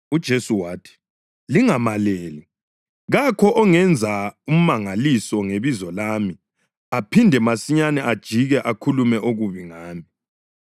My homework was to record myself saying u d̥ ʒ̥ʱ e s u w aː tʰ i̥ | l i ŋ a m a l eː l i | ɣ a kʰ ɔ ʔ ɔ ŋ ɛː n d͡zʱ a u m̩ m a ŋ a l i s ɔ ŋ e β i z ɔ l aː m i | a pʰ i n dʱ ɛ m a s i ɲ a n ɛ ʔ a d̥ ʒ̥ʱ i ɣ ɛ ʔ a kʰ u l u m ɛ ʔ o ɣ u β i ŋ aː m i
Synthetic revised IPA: u d̥ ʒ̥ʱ e s u w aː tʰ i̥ | l i ŋ a m a l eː l i | ɣ a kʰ ɔ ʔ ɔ ŋ ɛ n d͡zʱ a u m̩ m a ŋ a l i s ɔ ŋ e β i z ɔ l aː m i | a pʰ i n dʱ ɛ m a s i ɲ a n ɛ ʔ a d̥ ʒ̥ʱ i ɣ ɛ ʔ a kʰ u l u m ɛ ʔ o ɣ u β i ŋ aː m i

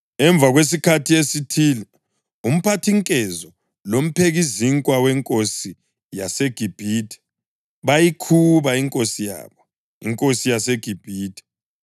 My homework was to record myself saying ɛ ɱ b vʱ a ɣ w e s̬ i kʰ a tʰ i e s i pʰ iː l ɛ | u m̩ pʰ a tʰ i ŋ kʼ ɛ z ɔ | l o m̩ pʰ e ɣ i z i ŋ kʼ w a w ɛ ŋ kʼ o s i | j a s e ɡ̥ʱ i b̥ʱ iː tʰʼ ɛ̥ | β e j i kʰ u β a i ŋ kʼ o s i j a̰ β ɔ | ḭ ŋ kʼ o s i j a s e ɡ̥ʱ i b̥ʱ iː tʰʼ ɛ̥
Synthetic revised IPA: ɛ ɱ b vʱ a ɣ w e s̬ i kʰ a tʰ i e s i tʰ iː l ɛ | u m̩ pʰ a tʰ i ŋ kʼ ɛ z ɔ | l o m̩ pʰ e ɣ i z i ŋ kʼ w a w ɛ ŋ kʼ o s i | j a s e ɡ̥ʱ i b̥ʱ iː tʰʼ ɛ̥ | β a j i kʰ u β a i ŋ kʼ o s i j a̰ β ɔ | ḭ ŋ kʼ o s i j a s e ɡ̥ʱ i b̥ʱ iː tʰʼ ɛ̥

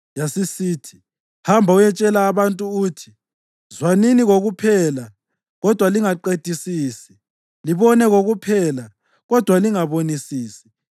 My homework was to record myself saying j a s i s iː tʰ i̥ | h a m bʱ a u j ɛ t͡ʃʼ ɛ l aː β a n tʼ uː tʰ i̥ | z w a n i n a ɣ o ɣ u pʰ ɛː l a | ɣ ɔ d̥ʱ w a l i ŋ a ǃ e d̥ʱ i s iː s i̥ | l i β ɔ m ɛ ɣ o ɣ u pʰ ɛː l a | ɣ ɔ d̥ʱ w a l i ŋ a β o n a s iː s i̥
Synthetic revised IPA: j a s i s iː tʰ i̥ | h a m bʱ a u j ɛ t͡ʃʼ ɛ l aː β a n tʼ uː tʰ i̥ | z w a n i n i ɣ o ɣ u pʰ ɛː l a | ɣ ɔ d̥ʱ w a l i ŋ a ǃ e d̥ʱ i s iː s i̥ | l i β ɔ n ɛ ɣ o ɣ u pʰ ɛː l a | ɣ ɔ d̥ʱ w a l i ŋ a β o n i s iː s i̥

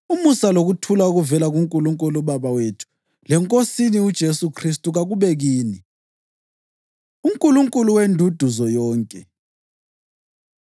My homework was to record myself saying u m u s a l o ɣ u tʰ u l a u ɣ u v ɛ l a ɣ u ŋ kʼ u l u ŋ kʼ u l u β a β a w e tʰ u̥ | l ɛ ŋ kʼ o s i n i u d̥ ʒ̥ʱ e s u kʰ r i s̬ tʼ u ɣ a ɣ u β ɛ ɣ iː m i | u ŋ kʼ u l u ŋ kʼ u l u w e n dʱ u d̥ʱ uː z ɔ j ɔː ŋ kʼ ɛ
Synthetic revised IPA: u m u s a l o ɣ u tʰ u l a u ɣ u v ɛ l a ɣ u ŋ kʼ u l u ŋ kʼ u l u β a β a w e tʰ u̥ | l ɛ ŋ kʼ o s i n i u d̥ ʒ̥ʱ e s u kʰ r i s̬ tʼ u ɣ a ɣ u β ɛ ɣ iː n i | u ŋ kʼ u l u ŋ kʼ u l u w e n dʱ u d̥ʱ u z ɔ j ɔː ŋ kʼ ɛ

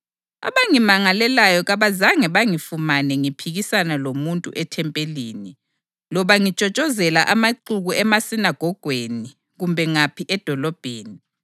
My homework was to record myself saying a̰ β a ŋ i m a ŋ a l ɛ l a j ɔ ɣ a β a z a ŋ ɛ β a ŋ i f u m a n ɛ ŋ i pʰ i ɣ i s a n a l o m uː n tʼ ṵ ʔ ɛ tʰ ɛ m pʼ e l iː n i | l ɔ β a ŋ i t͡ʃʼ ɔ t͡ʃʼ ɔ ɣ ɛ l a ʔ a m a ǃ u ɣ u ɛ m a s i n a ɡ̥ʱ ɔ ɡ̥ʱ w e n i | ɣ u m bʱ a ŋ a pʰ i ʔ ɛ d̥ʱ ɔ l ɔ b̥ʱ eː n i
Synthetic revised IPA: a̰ β a ŋ i m a ŋ a l ɛ l a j ɔ ɣ a β a z a ŋ ɛ β a ŋ i f u m a n ɛ ŋ i pʰ i ɣ i s a n a l o m u n tʼ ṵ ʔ ɛ tʰ ɛ m pʼ e l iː n i | l ɔ β a ŋ i t͡ʃʼ ɔ t͡ʃʼ ɔ z ɛ l a ʔ a m a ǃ u ɣ u ɛ m a s i n a ɡ̥ʱ ɔ ɡ̥ʱ w e n i | ɣ u m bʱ ɛ ŋ a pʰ i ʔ ɛ d̥ʱ ɔ l ɔ b̥ʱ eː n i

